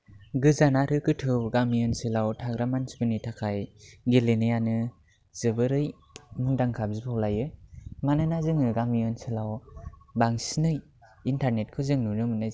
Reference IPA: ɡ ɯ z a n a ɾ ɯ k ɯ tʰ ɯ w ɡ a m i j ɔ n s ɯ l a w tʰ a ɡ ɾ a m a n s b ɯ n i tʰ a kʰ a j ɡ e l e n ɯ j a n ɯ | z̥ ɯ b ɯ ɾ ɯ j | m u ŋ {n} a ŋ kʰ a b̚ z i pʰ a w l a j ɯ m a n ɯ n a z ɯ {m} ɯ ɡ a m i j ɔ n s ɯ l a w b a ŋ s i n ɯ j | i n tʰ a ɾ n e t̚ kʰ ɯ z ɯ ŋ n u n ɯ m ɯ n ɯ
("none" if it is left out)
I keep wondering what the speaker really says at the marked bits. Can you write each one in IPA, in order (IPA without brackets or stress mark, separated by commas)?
d, ŋ